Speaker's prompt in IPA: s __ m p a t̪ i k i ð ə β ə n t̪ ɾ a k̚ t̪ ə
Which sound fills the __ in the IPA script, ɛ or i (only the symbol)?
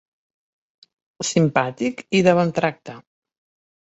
i